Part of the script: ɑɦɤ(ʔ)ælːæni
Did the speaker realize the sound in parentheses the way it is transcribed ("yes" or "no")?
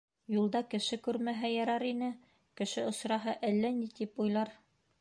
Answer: yes